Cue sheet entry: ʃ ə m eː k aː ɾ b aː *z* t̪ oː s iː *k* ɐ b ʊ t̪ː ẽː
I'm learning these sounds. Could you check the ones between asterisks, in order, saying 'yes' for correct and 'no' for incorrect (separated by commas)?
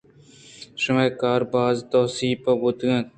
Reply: yes, no